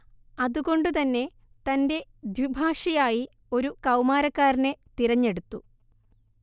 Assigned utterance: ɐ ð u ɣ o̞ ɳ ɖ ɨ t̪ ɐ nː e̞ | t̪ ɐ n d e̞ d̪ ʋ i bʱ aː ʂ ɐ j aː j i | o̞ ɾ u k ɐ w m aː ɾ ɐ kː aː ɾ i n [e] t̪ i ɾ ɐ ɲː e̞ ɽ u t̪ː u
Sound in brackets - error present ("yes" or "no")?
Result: no